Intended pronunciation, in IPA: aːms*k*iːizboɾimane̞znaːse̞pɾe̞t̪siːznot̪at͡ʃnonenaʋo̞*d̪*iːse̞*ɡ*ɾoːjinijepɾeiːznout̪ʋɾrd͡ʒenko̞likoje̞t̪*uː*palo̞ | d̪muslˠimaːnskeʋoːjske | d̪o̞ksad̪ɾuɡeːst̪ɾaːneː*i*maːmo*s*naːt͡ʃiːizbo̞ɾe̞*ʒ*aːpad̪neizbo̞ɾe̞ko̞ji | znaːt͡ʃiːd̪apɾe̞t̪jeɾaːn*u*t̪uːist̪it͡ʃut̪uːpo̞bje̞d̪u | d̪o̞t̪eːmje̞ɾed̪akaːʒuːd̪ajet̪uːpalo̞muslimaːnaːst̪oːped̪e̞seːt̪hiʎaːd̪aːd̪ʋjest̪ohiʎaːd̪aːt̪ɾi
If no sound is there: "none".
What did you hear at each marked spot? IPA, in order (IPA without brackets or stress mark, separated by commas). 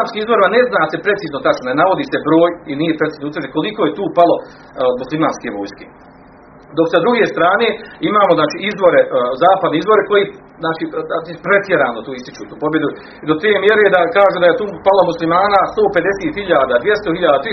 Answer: k, d̪, b, uː, i, z, z, o